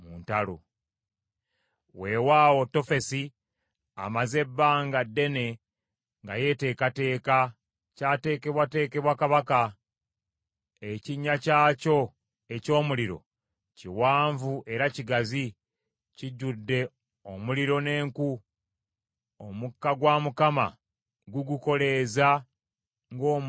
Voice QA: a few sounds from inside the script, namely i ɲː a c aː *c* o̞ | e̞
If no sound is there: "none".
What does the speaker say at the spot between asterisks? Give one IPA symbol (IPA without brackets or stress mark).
c